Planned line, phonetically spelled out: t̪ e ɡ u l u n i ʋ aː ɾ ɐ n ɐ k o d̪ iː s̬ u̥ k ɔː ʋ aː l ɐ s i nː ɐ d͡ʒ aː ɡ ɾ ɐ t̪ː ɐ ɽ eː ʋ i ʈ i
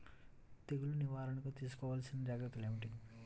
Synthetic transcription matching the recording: t̪ e ɡ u l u n i ʋ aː ɾ ɐ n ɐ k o t̪ iː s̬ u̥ k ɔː ʋ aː l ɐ s i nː ɐ d͡ʒ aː ɡ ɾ ɐ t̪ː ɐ l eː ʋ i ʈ i